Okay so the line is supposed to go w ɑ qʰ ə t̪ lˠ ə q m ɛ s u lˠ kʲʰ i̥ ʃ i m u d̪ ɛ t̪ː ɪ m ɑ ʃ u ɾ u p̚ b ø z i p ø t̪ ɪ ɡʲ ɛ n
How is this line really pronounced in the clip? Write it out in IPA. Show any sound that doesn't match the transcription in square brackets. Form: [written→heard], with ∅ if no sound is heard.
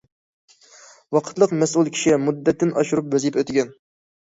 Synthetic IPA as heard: w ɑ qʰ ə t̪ lˠ ə q m ɛ s u lˠ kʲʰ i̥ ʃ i m u [d̪→d̪ː] ɛ t̪ː ɪ [m→n] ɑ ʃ u ɾ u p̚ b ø z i p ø t̪ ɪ ɡʲ ɛ n